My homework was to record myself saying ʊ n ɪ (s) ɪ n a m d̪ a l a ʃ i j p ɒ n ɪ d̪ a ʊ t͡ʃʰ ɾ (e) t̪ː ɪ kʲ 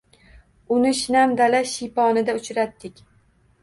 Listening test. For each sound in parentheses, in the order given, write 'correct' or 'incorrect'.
incorrect: ʃ, incorrect: a

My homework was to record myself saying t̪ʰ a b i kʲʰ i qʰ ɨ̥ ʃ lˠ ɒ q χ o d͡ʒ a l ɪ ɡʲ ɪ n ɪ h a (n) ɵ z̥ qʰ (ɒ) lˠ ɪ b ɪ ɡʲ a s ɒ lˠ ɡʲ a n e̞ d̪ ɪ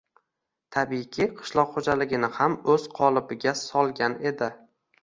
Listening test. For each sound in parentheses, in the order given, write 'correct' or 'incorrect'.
incorrect: m, correct

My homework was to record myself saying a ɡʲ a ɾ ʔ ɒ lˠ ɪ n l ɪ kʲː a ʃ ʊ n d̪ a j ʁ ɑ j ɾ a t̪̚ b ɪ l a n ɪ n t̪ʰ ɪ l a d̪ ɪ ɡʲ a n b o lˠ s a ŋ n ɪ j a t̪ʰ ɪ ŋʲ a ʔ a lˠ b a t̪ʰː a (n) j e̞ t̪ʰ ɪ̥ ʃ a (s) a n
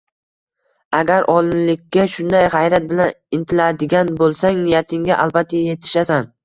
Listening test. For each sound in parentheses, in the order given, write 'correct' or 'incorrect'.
incorrect: none, correct

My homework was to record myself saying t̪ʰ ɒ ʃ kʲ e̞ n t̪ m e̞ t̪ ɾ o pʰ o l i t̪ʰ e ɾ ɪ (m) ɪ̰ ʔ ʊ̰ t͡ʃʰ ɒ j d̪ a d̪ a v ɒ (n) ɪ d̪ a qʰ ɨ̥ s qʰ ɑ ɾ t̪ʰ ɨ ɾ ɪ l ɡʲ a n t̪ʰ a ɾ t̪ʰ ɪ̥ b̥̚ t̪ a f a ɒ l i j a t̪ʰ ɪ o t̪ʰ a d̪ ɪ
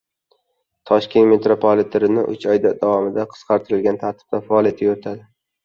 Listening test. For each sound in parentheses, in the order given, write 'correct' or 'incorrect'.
incorrect: n, incorrect: m

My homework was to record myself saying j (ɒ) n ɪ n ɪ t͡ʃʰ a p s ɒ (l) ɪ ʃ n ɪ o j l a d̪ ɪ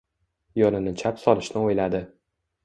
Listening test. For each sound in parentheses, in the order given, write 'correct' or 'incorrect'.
correct, correct

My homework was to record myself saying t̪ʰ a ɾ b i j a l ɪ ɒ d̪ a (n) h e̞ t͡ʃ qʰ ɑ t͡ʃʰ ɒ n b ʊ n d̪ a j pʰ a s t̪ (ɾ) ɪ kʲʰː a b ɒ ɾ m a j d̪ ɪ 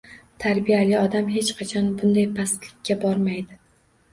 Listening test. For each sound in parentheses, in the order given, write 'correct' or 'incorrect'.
incorrect: m, incorrect: l

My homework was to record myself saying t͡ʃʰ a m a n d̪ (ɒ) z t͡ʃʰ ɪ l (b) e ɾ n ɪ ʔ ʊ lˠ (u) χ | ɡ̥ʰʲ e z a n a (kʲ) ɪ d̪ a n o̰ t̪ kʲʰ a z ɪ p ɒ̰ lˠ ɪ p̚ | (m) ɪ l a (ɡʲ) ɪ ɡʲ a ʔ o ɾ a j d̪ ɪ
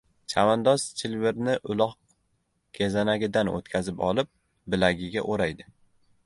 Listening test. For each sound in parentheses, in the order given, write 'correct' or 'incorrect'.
correct, incorrect: v, incorrect: ɒ, incorrect: ɡʲ, incorrect: b, correct

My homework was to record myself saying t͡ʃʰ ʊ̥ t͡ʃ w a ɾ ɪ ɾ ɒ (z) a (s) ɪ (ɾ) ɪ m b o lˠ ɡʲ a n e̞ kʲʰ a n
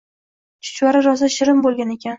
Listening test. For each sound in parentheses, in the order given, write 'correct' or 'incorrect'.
correct, incorrect: ʃ, correct

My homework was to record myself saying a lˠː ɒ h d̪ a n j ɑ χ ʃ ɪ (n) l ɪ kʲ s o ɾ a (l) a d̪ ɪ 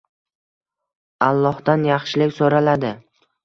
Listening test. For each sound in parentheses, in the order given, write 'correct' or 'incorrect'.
incorrect: none, correct

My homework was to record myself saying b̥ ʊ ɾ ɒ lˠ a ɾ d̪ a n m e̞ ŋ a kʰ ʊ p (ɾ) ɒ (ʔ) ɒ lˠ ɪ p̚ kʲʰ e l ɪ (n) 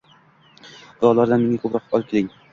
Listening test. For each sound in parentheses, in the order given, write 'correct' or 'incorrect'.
correct, incorrect: q, incorrect: ŋ

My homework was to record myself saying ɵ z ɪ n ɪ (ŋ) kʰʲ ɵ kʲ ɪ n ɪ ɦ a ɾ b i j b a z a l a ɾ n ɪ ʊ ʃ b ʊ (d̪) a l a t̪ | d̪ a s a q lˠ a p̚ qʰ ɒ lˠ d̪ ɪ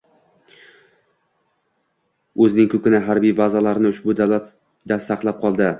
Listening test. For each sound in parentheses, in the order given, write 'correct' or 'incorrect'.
correct, correct

